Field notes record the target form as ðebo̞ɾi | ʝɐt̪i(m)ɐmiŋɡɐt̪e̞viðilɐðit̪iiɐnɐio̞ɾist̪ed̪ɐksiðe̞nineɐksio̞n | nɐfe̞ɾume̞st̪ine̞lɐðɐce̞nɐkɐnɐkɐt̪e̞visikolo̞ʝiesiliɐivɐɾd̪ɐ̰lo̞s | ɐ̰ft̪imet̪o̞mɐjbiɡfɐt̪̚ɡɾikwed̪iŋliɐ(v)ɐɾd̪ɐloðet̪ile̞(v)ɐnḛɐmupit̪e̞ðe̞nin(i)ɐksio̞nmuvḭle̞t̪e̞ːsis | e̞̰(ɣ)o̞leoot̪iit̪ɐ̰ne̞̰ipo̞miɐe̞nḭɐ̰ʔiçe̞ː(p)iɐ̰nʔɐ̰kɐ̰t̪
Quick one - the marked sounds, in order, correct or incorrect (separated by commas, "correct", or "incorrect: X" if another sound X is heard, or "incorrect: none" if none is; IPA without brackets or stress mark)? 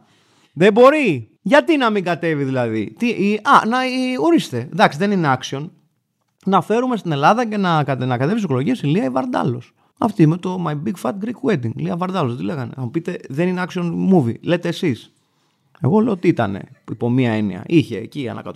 incorrect: n, correct, incorrect: ɣ, incorrect: e, correct, incorrect: c